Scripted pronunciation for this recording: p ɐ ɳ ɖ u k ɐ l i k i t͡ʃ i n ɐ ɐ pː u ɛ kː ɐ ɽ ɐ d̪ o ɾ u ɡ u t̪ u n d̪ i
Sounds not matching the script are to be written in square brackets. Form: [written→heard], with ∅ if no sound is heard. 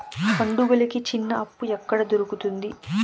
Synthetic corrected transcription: p ɐ ɳ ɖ u [k→ɡ] ɐ l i k i t͡ʃ i [n→nː] ɐ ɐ pː u ɛ kː ɐ ɽ ɐ d̪ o ɾ u [ɡ→k] u t̪ u n d̪ i